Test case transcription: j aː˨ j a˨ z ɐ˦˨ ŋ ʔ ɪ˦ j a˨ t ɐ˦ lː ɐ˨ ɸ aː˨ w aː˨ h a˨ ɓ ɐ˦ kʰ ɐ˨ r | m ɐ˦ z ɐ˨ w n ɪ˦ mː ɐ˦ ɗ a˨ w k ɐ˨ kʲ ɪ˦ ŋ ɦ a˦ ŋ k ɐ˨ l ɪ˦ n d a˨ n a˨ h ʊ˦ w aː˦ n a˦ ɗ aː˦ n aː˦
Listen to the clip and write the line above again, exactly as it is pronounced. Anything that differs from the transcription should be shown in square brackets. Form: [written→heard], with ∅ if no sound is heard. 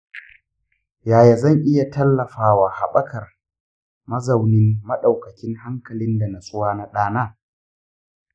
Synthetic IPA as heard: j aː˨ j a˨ z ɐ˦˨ ŋ ʔ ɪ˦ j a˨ t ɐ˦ lː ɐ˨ ɸ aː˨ w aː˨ h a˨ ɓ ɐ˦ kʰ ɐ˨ r | m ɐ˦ z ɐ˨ w n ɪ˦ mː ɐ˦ ɗ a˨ w k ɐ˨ kʲ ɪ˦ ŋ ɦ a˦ ŋ k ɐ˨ l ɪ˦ n d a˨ n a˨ [h→s] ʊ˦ w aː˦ n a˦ ɗ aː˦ n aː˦